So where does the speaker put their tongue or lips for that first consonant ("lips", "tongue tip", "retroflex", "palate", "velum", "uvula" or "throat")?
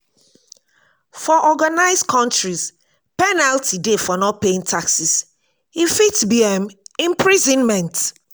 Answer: lips